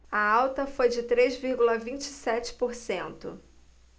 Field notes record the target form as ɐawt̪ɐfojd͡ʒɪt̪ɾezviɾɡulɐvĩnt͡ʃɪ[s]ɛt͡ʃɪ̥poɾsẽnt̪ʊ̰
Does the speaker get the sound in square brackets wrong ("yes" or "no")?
no